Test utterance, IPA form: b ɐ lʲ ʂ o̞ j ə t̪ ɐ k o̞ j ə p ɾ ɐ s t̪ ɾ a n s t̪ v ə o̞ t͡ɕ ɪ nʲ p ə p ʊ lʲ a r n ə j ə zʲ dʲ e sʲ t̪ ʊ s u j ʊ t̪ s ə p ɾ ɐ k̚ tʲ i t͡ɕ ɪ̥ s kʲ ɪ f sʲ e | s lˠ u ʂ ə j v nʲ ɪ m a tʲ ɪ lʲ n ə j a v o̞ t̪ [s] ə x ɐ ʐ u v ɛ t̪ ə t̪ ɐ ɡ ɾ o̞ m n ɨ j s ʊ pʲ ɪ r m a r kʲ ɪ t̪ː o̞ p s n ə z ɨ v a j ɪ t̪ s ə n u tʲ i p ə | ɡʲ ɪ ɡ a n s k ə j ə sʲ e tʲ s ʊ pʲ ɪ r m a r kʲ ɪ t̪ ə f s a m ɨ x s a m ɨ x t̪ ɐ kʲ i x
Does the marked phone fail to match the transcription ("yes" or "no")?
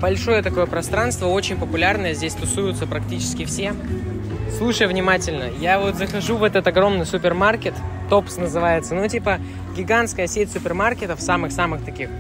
yes